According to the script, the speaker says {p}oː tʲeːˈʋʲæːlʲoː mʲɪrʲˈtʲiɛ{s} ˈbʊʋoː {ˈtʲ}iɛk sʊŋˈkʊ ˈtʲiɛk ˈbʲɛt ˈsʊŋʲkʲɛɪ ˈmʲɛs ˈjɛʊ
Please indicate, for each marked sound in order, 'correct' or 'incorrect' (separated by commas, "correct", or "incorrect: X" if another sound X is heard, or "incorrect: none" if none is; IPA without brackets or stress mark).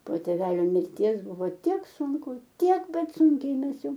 correct, correct, correct